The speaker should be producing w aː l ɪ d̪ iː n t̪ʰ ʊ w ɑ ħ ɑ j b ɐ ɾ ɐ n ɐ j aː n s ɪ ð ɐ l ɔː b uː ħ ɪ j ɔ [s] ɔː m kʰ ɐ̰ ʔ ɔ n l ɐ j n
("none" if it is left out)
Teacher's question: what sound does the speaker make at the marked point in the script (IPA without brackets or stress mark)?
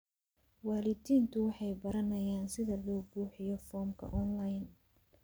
f